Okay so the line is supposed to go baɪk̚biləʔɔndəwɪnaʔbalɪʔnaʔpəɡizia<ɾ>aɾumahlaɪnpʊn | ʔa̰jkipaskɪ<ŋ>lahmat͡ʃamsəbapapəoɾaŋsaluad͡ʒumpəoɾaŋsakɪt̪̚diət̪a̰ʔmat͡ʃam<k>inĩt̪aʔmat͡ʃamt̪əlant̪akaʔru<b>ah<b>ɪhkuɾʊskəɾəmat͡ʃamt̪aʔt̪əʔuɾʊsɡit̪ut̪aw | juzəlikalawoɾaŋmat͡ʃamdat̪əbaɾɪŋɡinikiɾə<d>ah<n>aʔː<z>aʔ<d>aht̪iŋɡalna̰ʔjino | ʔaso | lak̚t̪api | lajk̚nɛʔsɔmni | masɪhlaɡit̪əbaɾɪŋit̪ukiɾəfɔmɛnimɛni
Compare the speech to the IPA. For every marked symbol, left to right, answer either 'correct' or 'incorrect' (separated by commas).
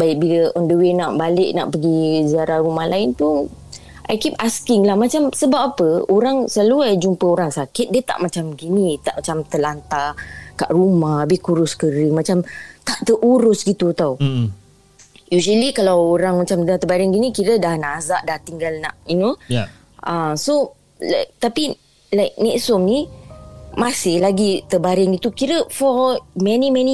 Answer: correct, correct, incorrect, incorrect, correct, correct, correct, correct, correct